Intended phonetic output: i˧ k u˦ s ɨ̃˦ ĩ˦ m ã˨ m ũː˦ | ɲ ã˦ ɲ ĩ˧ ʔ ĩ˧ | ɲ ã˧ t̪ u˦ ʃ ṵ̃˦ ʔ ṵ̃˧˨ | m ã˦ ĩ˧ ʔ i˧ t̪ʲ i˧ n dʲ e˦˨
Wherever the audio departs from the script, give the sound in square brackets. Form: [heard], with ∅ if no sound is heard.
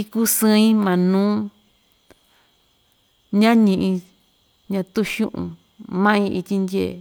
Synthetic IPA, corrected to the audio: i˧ k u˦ s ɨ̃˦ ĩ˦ m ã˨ [n] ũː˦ | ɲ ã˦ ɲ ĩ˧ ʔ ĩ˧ | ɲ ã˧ t̪ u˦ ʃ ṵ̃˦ ʔ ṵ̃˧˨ | m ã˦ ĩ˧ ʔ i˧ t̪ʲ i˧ n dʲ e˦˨